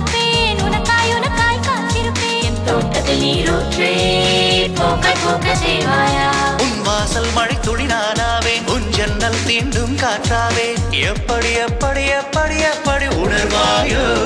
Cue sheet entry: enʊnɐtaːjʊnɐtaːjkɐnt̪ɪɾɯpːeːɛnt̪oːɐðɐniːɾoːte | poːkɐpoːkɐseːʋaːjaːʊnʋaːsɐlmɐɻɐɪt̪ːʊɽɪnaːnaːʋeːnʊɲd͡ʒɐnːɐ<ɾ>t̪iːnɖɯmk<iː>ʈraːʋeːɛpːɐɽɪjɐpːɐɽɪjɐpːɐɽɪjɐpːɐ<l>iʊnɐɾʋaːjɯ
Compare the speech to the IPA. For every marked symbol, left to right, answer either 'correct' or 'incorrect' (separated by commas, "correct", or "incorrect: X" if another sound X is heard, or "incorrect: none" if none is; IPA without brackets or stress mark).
incorrect: l, incorrect: aː, incorrect: ɽ